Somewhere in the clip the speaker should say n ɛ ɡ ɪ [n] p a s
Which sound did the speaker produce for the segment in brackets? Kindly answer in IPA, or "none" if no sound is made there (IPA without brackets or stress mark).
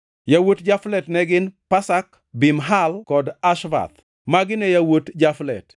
n